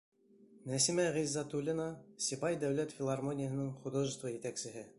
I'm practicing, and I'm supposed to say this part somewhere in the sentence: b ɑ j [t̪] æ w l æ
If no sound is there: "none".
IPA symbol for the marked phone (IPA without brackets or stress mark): d̪